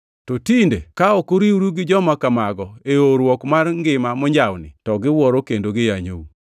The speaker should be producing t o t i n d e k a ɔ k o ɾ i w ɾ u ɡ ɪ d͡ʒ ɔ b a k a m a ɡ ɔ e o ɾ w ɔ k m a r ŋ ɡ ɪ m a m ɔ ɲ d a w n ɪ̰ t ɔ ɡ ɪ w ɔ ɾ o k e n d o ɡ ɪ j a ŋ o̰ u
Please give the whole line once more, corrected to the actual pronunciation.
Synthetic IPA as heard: t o t i n d e k a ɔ k o ɾ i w ɾ u ɡ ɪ d͡ʒ ɔ m a k a m a ɡ ɔ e o ɾ w ɔ k m a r ŋ ɡ ɪ m a m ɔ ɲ d͡ʒ a w n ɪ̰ t ɔ ɡ ɪ w ɔ ɾ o k e n d o ɡ ɪ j a ɲ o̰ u

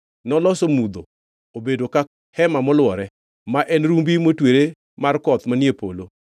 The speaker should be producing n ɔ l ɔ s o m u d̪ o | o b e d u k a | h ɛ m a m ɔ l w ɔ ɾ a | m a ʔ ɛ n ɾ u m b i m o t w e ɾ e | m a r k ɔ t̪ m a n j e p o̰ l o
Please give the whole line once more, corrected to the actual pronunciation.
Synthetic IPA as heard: n ɔ l ɔ s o m u d̪ o | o b e d o k a | h ɛ m a m ɔ l w ɔ ɾ ɛ | m a ʔ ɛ n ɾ u m b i m o t w e ɾ e | m a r k ɔ t̪ m a n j e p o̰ l o

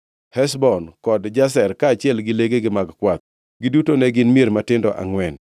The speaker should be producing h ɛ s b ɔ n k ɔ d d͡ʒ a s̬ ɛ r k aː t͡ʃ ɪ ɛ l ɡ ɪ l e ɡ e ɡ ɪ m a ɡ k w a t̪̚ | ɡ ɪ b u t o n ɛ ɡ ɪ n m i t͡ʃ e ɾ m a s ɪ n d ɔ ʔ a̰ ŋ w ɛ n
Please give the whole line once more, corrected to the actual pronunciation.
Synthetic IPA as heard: h ɛ s b ɔ n k ɔ d d͡ʒ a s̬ ɛ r k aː t͡ʃ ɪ ɛ l ɡ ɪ l e ɡ e ɡ ɪ m a ɡ k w a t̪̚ | ɡ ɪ d u t o n ɛ ɡ ɪ n m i e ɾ m a t ɪ n d ɔ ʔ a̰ ŋ w ɛ n

